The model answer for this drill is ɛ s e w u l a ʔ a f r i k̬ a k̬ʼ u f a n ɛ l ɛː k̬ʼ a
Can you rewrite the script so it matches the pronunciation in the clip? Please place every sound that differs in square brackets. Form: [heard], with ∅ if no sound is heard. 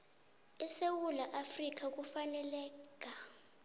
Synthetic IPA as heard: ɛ s e w u l a ʔ a f r i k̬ a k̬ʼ u f a n ɛ l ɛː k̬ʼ a